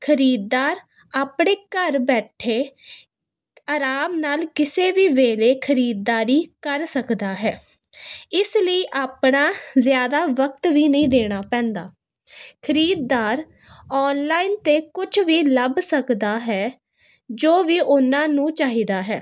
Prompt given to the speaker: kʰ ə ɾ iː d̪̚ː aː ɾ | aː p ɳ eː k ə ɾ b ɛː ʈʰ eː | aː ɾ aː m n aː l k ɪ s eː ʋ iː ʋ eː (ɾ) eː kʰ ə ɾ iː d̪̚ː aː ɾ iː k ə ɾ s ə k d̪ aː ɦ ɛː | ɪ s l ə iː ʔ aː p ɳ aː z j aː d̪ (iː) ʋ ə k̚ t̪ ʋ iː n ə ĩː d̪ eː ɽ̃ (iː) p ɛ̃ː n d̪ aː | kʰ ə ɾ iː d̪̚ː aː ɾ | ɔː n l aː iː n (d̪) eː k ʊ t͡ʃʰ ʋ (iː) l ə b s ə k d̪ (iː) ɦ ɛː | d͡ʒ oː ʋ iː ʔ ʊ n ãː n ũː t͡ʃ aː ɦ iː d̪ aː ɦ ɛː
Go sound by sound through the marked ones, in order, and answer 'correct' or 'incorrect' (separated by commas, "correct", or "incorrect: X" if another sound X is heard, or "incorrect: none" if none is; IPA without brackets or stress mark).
incorrect: l, incorrect: aː, incorrect: aː, incorrect: t̪, correct, incorrect: aː